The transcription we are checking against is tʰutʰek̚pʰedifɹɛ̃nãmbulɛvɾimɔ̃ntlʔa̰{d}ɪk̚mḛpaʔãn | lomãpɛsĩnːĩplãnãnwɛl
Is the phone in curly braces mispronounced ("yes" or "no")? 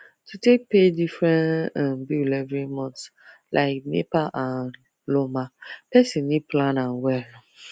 yes